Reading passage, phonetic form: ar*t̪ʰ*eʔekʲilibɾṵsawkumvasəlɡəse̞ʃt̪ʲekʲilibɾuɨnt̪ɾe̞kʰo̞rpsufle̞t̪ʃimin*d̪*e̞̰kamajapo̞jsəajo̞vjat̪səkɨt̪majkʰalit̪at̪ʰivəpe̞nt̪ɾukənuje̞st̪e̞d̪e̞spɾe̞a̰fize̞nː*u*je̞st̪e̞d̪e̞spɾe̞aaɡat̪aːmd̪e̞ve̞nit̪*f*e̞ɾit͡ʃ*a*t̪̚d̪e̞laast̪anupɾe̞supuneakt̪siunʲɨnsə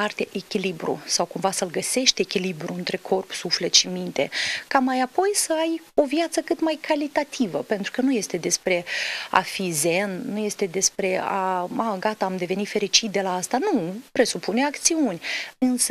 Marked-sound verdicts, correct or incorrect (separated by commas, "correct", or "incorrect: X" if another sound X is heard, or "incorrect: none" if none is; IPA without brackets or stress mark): incorrect: t̪, incorrect: t̪, correct, correct, incorrect: i